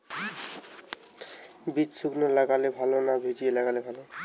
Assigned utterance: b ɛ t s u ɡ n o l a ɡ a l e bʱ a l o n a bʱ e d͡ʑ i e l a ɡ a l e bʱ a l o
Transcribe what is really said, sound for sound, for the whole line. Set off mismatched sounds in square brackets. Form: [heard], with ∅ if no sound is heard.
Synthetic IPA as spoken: b [i] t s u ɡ n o l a ɡ a l e bʱ a l o n a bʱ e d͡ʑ i e l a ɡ a l e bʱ a l o